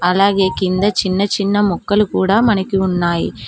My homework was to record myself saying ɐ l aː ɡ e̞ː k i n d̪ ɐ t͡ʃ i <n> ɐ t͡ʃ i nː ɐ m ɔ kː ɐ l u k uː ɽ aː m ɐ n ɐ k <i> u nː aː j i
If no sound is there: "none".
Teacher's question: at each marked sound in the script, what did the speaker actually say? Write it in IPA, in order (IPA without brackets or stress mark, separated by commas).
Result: nː, i